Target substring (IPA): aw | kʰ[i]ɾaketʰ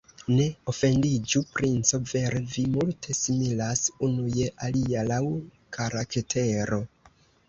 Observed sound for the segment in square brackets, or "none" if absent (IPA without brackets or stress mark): a